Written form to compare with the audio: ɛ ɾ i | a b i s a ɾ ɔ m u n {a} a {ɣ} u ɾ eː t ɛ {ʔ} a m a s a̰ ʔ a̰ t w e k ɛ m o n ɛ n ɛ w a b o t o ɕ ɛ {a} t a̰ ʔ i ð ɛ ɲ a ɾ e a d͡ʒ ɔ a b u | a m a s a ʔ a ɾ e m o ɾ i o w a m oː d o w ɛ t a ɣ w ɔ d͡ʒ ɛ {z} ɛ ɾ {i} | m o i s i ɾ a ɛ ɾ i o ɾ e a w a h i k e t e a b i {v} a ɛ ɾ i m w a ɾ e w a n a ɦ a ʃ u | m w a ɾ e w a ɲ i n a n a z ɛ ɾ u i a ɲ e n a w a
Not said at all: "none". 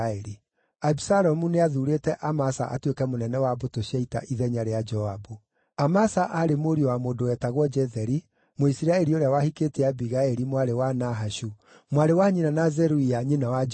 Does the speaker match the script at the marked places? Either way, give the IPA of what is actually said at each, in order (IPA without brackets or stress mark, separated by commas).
e, ð, ʔ, i, ð, i, ɣ